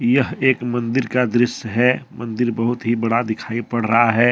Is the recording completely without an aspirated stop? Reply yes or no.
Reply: no